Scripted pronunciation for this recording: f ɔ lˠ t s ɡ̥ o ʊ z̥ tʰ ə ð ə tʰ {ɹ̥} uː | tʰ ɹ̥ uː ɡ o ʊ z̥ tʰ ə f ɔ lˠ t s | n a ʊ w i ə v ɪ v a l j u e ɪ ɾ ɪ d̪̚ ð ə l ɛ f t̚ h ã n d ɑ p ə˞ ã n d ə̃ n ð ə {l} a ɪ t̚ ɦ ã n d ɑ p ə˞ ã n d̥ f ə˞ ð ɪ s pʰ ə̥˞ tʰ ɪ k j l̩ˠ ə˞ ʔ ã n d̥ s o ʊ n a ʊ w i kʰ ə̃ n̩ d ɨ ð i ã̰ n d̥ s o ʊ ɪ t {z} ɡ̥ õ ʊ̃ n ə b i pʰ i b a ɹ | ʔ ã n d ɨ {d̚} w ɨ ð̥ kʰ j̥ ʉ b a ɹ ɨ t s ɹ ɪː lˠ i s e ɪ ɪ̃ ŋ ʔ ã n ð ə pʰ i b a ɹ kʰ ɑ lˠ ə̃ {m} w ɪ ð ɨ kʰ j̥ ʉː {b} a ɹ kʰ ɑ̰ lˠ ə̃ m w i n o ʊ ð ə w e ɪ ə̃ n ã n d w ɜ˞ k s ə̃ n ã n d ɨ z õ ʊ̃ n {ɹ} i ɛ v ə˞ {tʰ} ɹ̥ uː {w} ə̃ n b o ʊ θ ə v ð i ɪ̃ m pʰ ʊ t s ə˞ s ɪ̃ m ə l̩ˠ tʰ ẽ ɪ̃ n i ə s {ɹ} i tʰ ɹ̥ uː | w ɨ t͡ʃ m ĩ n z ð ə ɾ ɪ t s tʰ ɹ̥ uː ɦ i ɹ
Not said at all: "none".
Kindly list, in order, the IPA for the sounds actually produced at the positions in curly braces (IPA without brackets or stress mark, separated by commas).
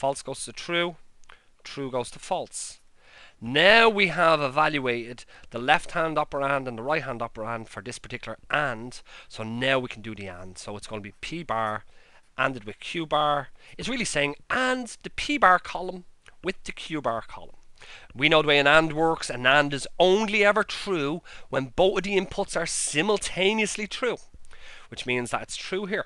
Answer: ɹ̥, ɹ, s, d̚, m, b, l, tʰ, w, l